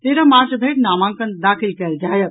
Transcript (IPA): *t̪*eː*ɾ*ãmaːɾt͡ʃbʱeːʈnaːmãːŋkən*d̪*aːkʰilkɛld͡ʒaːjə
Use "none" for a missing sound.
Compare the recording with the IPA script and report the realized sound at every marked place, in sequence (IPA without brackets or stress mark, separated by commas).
t̪, ɾ, d̪